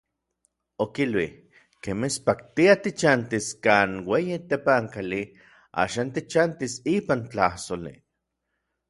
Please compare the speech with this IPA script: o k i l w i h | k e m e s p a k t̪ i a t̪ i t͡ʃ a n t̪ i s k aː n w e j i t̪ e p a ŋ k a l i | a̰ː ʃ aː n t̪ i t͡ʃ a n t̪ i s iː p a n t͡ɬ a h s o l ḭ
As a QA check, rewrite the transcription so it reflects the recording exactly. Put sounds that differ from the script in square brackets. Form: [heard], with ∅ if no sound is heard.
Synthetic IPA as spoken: o k i l w i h | k e m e s p a k t̪ i a t̪ i t͡ʃ a n t̪ i s k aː n w e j i t̪ e p a ŋ k a l i | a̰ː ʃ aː n t̪ i t͡ʃ a n t̪ i s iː p a n t͡ɬ a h s o l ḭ